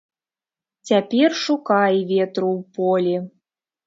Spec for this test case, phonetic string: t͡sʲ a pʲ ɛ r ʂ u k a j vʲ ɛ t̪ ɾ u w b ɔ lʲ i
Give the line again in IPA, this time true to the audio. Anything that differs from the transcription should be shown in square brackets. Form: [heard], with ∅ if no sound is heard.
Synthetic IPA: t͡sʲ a pʲ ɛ r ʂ u k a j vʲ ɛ t̪ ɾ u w [p] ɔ lʲ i